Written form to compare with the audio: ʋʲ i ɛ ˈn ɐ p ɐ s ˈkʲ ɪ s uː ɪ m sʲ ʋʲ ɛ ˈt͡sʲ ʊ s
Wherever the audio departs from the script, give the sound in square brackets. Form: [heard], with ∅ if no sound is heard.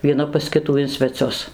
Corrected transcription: ʋʲ i ɛ ˈn ɐ p ɐ s ˈkʲ ɪ [t] uː ɪ [n] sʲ ʋʲ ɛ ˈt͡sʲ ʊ s